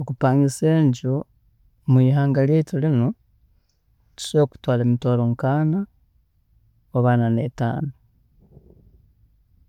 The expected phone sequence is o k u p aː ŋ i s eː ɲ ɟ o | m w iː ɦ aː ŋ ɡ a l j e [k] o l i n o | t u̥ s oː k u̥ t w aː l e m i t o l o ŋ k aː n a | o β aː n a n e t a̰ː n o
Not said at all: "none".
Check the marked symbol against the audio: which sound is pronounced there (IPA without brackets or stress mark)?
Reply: t